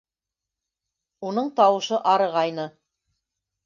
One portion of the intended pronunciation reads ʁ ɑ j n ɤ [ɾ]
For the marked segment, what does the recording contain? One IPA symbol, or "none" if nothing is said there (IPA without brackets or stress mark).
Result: none